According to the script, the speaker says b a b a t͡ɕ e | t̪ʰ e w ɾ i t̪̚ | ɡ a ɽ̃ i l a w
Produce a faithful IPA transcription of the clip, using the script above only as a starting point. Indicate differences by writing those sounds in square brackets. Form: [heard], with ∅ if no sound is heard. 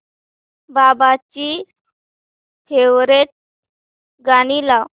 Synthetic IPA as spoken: b a b a t͡ɕ [i] | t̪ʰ e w ɾ [e] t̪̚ | ɡ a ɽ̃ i l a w